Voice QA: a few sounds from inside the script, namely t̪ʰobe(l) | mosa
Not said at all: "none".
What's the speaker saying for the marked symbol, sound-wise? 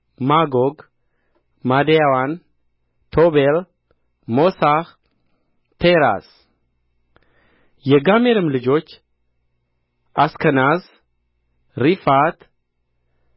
l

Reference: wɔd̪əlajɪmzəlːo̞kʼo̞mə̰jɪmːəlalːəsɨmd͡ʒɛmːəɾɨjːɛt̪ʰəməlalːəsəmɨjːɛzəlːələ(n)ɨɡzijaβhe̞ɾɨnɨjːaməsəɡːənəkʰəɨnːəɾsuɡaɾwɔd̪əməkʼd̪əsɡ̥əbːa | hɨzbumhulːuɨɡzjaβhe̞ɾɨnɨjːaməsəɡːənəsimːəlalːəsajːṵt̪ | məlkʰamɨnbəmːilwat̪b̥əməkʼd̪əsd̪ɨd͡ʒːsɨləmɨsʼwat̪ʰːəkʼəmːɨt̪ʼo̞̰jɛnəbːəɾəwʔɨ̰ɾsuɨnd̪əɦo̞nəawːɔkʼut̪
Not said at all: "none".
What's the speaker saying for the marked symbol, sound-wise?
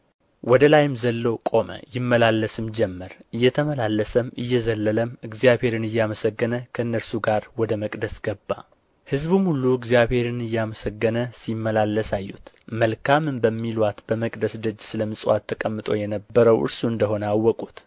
m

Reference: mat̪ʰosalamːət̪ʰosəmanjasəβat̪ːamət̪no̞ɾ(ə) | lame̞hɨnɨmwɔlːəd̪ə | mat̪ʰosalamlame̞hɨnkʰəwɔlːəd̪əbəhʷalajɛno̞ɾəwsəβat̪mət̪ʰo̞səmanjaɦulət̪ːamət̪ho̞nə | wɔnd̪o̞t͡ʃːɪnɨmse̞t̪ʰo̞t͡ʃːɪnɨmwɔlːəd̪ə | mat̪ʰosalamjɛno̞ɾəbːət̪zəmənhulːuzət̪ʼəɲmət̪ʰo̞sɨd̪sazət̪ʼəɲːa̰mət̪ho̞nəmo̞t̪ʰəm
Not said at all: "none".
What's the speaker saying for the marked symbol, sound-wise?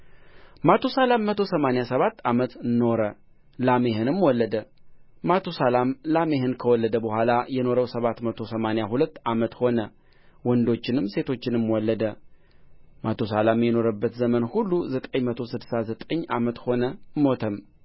ə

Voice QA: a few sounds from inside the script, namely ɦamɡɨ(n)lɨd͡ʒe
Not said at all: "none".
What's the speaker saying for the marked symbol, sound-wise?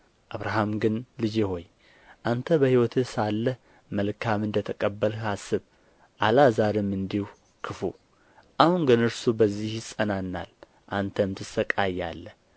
n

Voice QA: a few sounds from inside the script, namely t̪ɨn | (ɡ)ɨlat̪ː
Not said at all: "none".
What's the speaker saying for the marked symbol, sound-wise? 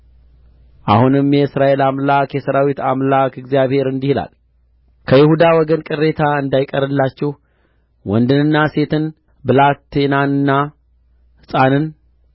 b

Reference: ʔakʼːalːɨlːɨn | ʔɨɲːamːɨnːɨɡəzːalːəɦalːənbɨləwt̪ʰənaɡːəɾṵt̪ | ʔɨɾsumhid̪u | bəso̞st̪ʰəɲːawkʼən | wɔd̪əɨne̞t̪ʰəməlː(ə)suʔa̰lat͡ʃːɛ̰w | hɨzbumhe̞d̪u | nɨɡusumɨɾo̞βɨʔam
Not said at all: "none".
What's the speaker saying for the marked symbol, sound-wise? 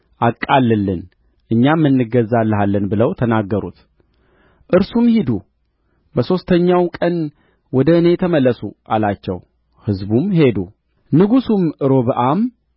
ə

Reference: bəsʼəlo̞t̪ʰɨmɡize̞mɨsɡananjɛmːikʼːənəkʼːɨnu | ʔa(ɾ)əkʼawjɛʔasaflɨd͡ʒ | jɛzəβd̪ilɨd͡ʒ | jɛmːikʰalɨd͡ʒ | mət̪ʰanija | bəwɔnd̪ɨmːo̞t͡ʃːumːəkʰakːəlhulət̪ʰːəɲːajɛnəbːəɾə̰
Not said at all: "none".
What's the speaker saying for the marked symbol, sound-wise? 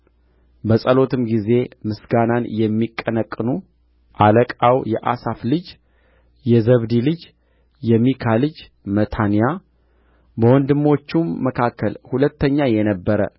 l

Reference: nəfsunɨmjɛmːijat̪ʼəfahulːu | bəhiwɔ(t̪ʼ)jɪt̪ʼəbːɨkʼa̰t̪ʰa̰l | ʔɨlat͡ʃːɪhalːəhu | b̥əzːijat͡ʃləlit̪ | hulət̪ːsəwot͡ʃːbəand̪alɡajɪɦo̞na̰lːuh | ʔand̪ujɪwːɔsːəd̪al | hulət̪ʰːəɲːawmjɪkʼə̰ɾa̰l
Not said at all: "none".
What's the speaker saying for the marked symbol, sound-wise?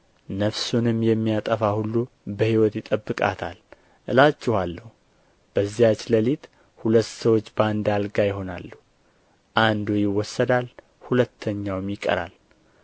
t̪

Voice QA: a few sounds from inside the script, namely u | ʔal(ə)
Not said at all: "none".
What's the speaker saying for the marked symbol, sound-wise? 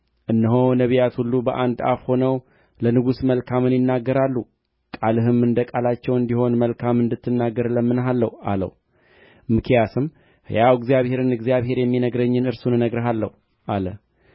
ə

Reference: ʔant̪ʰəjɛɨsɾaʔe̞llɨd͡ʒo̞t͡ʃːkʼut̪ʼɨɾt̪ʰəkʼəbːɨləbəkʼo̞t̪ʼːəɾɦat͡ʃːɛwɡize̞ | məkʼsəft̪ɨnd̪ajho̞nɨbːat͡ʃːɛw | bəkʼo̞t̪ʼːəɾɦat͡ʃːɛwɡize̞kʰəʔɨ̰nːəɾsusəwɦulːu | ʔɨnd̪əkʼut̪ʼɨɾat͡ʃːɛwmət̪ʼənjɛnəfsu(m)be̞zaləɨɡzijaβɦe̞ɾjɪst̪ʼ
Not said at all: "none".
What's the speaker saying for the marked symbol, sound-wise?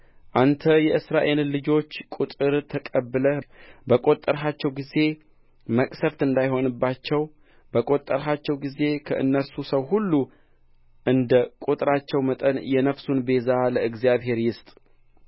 n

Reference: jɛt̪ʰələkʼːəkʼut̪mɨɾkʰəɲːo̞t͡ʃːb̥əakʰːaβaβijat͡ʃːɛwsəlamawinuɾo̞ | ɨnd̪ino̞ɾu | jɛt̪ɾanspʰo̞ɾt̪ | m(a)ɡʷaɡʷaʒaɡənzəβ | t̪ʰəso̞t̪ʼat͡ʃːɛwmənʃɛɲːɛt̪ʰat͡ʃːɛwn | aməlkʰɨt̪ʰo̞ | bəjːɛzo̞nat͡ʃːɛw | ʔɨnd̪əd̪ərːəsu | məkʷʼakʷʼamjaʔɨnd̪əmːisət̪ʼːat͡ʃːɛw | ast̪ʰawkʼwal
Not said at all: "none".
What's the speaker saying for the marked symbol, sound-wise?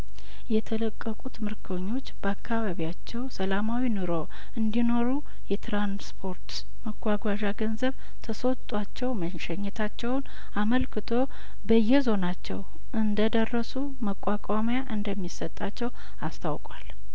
ə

